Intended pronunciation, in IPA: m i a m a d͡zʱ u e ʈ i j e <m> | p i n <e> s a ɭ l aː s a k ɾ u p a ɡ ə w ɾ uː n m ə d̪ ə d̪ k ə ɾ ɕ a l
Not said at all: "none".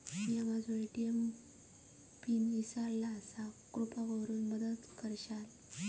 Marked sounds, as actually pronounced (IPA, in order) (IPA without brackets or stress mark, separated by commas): m, i